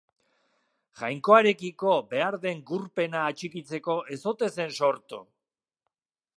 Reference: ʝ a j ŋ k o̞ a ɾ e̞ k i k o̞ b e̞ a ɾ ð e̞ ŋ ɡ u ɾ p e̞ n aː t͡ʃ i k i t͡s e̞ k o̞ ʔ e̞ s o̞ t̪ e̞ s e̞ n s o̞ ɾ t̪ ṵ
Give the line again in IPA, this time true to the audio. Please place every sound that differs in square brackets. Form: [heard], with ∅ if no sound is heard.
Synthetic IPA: ʝ a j ŋ k o̞ a ɾ e̞ k i k o̞ b e̞ a ɾ ð e̞ ŋ ɡ u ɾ p e̞ n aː t͡ʃ i k i t͡s e̞ k o̞ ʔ e̞ s o̞ t̪ e̞ s e̞ n s o̞ ɾ t̪ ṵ